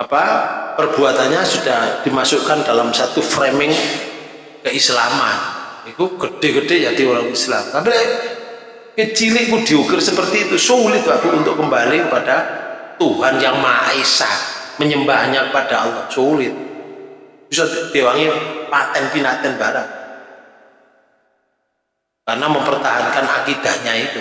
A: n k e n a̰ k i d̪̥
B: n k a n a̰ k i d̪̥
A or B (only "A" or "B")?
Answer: B